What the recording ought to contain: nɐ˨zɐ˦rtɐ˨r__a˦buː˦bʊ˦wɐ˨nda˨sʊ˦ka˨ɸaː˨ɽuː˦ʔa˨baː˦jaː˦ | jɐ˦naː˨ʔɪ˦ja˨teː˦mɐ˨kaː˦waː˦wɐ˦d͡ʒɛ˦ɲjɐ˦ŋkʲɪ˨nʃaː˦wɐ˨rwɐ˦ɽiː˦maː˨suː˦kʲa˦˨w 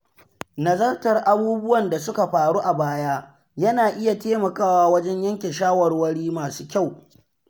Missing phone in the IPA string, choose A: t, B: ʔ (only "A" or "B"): B